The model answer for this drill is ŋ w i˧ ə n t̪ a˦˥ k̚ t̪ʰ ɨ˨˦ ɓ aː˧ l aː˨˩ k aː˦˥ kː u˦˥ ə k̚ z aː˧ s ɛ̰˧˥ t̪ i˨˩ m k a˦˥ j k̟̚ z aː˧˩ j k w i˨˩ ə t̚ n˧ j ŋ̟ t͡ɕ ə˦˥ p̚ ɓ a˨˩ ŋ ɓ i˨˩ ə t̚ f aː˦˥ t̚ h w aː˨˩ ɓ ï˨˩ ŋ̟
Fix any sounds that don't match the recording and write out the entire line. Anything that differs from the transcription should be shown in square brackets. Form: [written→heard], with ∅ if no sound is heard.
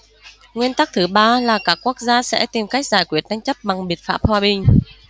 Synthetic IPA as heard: ŋ w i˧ ə n t̪ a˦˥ k̚ t̪ʰ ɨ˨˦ ɓ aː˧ l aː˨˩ k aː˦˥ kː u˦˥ ə k̚ z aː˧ s ɛ̰˧˥ t̪ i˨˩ m k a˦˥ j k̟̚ z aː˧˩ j k w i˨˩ ə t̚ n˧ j ŋ̟ t͡ɕ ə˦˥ p̚ ɓ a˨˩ ŋ ɓ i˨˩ ə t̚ f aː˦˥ [t̚→p̚] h w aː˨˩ ɓ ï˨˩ ŋ̟